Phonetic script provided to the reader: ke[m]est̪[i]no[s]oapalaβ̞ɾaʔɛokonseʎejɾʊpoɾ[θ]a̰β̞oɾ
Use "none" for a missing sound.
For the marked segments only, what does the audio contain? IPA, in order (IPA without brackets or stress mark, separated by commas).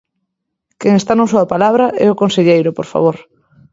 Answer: ŋ, a, s, f